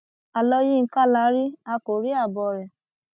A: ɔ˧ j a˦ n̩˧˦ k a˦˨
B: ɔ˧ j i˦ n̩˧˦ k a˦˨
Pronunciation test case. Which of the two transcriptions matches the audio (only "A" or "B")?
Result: B